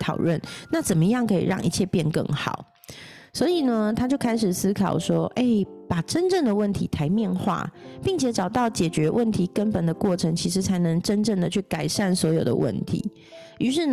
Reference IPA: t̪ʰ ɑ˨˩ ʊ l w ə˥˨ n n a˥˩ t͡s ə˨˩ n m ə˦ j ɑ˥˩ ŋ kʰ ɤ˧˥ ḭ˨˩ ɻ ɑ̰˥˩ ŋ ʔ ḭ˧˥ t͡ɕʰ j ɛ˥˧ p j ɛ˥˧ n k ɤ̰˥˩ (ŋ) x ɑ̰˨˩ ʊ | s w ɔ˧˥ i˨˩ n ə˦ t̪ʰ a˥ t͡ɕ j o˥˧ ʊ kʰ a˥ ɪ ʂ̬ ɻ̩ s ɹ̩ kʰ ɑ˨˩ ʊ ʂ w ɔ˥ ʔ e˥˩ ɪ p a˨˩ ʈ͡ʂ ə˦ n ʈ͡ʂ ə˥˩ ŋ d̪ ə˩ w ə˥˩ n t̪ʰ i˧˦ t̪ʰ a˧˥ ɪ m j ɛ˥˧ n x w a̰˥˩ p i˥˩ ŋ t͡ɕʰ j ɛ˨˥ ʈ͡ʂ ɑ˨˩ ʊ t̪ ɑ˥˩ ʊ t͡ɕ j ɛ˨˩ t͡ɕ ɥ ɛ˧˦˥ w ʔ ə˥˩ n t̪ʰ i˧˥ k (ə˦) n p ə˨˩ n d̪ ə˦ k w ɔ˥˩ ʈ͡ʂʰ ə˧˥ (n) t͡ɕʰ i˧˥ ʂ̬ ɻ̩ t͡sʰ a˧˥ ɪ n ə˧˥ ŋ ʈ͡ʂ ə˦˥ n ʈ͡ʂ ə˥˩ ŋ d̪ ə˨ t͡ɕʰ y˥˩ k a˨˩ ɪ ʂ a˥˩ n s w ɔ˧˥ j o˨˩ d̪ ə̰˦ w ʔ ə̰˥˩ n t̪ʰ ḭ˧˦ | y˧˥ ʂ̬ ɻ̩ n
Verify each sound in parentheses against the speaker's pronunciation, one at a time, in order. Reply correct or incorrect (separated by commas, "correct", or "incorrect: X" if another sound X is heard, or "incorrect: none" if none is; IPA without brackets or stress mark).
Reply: correct, correct, incorrect: ŋ